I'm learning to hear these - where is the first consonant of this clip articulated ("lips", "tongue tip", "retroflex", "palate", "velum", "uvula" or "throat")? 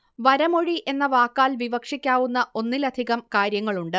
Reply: lips